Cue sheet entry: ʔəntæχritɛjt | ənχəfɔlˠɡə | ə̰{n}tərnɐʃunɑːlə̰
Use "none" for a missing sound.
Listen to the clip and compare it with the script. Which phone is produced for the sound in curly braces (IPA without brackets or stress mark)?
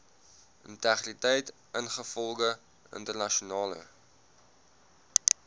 n